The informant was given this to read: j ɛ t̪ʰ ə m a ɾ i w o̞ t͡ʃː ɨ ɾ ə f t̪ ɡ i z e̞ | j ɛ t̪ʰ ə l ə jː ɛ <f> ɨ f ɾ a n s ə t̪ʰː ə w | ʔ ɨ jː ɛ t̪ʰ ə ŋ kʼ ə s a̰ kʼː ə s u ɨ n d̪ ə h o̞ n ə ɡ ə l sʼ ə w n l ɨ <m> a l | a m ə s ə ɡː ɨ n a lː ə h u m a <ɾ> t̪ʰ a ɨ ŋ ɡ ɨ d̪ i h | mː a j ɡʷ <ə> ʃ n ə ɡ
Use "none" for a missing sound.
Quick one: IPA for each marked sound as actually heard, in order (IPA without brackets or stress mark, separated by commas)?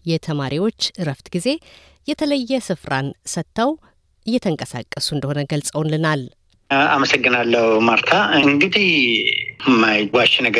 s, n, ɾ, a